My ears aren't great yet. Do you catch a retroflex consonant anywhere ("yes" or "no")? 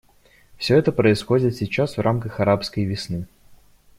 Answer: no